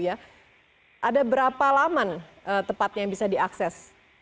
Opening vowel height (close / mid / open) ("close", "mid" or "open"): open